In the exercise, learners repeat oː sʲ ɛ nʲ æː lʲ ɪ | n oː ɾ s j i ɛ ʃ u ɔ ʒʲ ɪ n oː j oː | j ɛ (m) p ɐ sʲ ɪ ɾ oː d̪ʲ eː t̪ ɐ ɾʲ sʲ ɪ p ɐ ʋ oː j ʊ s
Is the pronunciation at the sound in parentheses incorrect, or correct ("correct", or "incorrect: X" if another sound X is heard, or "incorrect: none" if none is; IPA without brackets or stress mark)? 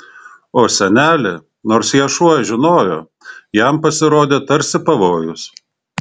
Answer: correct